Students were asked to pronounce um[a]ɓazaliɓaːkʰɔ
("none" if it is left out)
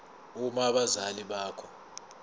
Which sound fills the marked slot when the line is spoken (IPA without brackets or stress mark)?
a